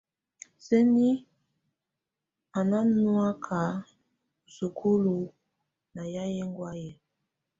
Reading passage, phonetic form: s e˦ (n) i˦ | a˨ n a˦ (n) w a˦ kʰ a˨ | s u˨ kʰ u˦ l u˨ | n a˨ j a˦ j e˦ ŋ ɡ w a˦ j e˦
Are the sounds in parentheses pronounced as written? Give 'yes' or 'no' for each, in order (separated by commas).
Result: yes, yes